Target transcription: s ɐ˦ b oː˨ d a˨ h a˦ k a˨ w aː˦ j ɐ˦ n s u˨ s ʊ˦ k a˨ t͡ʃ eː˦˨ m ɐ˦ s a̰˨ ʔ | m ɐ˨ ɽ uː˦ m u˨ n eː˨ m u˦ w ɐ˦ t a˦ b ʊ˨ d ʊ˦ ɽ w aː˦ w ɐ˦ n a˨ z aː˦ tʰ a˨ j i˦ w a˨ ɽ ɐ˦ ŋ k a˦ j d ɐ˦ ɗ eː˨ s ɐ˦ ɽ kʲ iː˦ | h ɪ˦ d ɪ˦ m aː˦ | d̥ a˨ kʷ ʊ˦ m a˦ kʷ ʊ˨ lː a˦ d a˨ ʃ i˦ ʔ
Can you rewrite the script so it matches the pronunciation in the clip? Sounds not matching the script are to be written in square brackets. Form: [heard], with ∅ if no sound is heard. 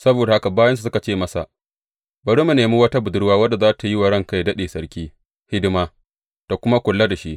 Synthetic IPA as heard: s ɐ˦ b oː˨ d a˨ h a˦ k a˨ [b] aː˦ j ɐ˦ n s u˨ s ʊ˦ k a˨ t͡ʃ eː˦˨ m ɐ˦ s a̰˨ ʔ | [b] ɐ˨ ɽ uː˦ m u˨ n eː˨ m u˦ w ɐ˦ t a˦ b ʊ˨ d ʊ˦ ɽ w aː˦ w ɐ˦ [d] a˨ z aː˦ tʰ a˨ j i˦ w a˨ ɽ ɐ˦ ŋ k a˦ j d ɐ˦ ɗ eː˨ s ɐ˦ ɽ kʲ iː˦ | h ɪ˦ d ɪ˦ m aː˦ | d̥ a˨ kʷ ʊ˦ m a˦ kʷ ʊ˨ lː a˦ d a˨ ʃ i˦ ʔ